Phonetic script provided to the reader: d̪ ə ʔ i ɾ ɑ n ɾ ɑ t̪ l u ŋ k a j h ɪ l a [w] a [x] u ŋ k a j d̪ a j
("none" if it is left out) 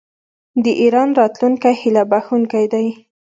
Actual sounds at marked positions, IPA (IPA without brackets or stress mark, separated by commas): b, x